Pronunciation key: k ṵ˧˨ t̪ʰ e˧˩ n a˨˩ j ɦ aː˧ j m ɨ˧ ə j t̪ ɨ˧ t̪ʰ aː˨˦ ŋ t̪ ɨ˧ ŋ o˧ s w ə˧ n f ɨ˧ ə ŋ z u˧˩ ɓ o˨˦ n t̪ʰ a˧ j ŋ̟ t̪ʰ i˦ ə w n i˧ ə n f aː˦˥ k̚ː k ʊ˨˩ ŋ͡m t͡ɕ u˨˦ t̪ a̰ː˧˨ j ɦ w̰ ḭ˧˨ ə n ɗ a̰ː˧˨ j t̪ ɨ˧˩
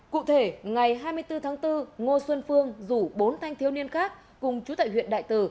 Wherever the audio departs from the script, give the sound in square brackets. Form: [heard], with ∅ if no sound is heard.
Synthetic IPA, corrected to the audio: k ṵ˧˨ t̪ʰ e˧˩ [ŋ] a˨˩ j ɦ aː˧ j m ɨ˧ ə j t̪ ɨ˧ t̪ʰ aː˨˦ ŋ t̪ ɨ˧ ŋ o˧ s w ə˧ n f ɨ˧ ə ŋ z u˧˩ ɓ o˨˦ n t̪ʰ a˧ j ŋ̟ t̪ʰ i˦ ə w n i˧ ə n [x] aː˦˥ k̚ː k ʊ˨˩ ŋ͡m t͡ɕ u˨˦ t̪ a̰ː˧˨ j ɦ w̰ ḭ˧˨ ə n ɗ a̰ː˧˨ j t̪ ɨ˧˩